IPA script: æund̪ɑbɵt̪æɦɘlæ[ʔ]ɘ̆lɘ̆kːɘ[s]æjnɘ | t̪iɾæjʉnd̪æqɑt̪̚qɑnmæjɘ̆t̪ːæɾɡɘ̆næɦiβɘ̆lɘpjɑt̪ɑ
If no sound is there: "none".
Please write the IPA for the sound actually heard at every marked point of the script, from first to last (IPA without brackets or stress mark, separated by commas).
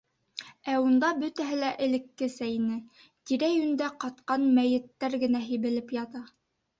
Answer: ʔ, s